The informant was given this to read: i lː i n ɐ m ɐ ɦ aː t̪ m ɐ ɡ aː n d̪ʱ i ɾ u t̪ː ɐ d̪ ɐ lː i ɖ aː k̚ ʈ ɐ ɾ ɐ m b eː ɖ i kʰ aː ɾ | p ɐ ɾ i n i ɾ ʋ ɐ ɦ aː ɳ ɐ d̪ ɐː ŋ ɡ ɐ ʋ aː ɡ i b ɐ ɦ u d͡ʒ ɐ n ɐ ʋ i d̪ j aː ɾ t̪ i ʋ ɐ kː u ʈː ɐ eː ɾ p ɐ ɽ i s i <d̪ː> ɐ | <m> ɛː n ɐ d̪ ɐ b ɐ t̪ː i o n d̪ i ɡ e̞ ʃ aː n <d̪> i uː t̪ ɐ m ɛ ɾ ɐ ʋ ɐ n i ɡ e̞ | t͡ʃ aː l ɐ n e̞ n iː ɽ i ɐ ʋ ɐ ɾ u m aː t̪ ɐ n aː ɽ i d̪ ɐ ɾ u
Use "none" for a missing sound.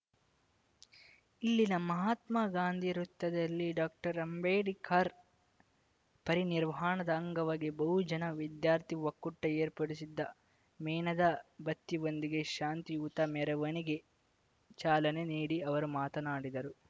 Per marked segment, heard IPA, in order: d̪ː, m, t̪

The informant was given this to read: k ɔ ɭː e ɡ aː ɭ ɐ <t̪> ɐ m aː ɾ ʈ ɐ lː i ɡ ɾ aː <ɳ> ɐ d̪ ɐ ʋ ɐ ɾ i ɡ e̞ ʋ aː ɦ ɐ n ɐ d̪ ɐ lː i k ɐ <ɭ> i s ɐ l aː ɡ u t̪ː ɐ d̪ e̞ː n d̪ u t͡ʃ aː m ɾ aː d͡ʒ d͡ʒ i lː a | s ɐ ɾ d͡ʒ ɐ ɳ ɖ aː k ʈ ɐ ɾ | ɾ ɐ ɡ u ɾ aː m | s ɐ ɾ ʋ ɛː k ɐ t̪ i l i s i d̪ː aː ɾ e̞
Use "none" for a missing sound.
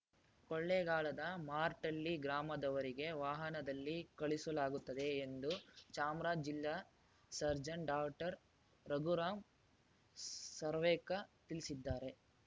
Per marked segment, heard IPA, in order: d̪, m, ɭ

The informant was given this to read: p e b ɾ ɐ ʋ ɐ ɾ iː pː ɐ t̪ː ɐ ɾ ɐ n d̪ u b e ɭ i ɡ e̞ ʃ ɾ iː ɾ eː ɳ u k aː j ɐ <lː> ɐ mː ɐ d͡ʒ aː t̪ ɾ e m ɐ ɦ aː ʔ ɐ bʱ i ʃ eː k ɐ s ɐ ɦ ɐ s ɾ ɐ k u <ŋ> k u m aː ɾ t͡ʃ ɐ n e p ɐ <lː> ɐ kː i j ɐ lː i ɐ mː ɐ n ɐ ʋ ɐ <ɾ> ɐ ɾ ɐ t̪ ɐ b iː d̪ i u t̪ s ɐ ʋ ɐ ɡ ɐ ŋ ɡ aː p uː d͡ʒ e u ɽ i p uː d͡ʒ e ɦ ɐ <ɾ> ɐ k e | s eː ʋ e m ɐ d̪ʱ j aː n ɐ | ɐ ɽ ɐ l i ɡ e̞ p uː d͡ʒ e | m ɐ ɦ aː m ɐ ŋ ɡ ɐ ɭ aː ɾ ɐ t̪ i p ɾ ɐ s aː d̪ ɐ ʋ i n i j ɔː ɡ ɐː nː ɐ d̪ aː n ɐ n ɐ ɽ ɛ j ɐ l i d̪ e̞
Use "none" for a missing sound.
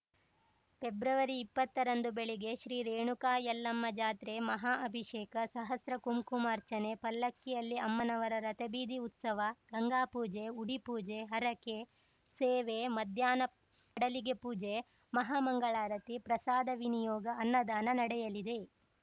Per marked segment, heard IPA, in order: lː, m, lː, ɾ, ɾ

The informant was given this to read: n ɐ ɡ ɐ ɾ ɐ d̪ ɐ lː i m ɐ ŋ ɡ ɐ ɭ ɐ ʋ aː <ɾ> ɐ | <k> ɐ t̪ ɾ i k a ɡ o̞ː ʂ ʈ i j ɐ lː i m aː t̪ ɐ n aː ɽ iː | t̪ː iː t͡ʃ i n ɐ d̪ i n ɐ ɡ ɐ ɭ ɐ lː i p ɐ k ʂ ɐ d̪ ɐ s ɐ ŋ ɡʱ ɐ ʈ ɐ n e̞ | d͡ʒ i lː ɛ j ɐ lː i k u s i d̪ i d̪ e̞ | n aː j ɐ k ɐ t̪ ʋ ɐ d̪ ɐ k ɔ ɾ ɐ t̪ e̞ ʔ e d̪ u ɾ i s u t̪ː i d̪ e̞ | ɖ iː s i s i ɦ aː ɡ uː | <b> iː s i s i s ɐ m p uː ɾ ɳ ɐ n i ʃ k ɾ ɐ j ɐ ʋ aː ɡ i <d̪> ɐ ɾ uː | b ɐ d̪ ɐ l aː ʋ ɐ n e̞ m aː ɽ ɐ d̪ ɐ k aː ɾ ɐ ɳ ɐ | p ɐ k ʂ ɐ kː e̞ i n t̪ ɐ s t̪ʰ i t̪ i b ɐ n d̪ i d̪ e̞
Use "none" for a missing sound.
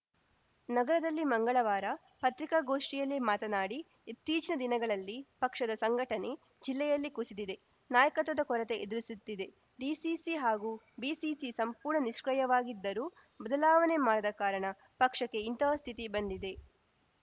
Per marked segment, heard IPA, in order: ɾ, p, b, d̪ː

